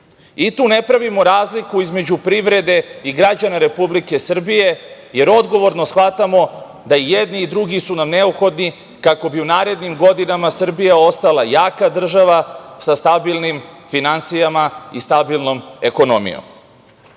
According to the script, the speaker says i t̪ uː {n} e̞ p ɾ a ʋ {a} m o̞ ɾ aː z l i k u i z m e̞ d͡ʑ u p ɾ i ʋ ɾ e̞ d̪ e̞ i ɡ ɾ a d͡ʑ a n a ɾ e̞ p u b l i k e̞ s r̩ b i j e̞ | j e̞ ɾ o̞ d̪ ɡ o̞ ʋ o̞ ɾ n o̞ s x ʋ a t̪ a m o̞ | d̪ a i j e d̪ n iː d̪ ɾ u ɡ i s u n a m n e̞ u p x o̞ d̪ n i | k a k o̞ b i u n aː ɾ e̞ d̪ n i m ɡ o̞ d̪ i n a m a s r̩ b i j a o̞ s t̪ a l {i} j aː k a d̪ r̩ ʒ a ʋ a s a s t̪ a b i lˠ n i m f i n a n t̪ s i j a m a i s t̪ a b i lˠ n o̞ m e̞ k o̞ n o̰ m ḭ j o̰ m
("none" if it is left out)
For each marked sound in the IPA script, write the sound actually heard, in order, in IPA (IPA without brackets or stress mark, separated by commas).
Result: n, i, a